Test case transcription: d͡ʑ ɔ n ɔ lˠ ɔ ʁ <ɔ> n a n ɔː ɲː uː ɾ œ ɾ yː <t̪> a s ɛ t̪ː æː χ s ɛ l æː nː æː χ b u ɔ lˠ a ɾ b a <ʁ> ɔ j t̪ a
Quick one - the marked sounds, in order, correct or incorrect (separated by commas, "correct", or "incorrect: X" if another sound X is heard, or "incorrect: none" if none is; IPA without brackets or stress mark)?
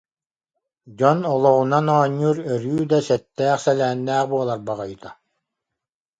incorrect: u, incorrect: d̪, correct